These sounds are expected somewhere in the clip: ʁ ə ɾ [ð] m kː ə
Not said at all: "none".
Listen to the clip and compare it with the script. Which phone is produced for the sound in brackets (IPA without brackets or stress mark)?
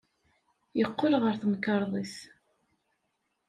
θ